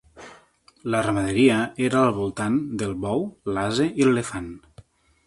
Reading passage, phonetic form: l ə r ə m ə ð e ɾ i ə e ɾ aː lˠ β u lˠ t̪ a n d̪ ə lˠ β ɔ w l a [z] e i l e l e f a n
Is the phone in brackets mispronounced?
no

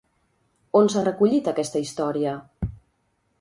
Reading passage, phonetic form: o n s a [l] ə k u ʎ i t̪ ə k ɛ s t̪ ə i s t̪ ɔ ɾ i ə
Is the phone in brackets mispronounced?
yes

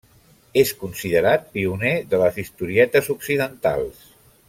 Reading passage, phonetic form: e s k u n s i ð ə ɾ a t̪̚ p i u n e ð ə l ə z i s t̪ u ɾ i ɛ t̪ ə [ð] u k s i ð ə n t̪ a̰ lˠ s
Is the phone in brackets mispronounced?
yes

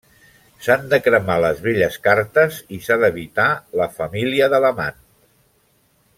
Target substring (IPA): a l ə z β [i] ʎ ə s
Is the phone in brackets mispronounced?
yes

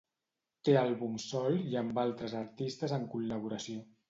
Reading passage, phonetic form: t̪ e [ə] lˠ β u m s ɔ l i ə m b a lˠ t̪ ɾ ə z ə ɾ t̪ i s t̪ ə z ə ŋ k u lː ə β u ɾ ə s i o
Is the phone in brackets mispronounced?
yes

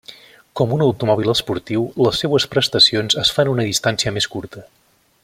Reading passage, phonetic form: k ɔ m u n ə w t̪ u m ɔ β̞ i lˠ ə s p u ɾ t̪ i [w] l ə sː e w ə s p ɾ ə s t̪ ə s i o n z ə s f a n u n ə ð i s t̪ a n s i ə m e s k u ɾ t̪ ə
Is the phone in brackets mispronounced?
no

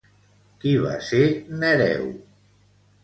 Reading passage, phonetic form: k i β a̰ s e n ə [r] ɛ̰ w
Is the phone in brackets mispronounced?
yes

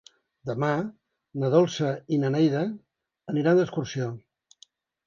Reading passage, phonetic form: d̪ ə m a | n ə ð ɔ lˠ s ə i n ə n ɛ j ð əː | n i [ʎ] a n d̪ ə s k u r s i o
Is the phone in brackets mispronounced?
yes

